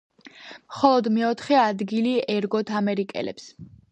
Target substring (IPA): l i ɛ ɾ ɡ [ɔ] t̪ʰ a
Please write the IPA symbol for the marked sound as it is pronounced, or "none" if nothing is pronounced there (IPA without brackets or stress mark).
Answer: ɔ